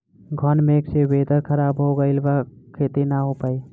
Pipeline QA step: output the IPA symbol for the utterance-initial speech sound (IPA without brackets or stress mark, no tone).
ɡʱ